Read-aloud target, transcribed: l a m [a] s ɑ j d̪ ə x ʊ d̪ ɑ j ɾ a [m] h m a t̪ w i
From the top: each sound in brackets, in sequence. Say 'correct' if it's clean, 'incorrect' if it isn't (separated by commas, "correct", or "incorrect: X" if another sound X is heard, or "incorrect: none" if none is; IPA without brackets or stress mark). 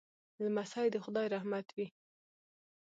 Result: correct, incorrect: none